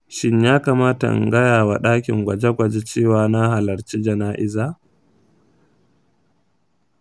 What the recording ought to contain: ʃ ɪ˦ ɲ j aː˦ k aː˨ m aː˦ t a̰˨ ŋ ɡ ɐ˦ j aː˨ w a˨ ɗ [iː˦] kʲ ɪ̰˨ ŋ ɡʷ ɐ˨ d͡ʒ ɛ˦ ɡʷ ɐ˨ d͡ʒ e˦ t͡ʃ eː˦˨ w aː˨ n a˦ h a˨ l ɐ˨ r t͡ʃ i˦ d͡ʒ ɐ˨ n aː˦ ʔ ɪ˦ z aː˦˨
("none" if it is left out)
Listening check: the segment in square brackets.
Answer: aː˦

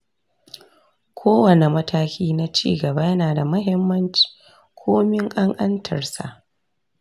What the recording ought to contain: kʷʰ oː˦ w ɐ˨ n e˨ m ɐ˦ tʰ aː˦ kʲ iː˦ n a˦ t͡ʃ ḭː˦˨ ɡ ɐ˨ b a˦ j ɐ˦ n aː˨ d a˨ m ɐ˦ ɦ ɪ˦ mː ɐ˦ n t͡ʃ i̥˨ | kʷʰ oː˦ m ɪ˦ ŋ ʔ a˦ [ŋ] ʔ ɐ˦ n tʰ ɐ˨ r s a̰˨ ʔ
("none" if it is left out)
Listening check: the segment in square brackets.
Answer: ŋ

